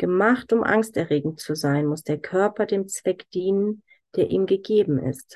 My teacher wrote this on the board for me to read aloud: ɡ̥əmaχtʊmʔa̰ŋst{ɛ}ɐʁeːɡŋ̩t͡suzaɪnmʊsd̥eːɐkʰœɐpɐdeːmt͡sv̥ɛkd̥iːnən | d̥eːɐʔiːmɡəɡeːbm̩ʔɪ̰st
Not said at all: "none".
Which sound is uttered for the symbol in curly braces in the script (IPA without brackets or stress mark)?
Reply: ɛ